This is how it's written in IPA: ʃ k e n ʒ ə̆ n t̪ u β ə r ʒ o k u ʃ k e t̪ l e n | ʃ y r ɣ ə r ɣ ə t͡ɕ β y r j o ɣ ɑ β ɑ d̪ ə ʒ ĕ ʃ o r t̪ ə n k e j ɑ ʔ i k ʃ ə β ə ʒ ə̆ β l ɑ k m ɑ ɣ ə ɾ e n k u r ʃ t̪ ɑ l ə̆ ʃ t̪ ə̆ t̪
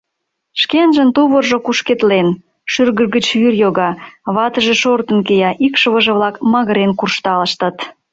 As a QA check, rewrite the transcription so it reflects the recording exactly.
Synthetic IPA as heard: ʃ k e n ʒ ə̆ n t̪ u β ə r ʒ o k u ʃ k e t̪ l e n | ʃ y r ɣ ə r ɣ ə t͡ɕ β y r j o ɣ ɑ β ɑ t̪ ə ʒ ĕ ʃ o r t̪ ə n k e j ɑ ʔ i k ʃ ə β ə ʒ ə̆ β l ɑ k m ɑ ɣ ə ɾ e n k u r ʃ t̪ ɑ l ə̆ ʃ t̪ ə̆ t̪